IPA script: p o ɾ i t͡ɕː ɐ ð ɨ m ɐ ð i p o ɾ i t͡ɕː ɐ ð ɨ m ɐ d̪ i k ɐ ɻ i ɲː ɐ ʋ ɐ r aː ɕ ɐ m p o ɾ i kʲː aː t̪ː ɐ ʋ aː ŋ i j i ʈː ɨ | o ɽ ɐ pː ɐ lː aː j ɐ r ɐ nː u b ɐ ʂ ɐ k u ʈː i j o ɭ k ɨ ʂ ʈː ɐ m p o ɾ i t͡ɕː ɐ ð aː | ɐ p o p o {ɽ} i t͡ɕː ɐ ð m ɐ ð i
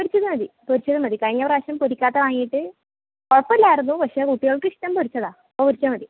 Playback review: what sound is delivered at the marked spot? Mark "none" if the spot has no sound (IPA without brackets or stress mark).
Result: ɾ